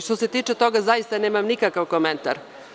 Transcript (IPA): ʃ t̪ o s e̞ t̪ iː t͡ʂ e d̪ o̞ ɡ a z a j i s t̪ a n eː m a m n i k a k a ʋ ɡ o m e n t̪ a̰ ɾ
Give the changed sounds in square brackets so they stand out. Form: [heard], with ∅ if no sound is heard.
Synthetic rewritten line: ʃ t̪ o s e̞ t̪ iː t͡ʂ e [t̪] o̞ ɡ a z a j i s t̪ a n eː m a m n i k a k a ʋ [k] o m e n t̪ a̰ ɾ